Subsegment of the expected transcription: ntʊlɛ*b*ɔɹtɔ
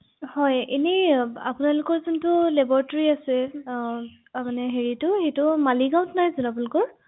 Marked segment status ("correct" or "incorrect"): correct